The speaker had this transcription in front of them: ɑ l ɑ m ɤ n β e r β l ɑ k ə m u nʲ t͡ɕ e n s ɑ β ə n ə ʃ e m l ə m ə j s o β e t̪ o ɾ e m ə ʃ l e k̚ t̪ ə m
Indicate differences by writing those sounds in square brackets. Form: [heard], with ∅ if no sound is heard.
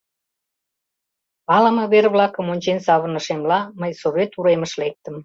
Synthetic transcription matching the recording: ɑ l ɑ m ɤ [∅] β e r β l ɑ k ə m [o] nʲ t͡ɕ e n s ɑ β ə n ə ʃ e m l [ɑ] m ə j s o β e t̪ [u] ɾ e m ə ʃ l e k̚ t̪ ə m